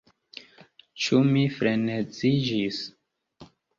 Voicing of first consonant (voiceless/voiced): voiceless